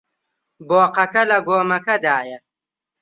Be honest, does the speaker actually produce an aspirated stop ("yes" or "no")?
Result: no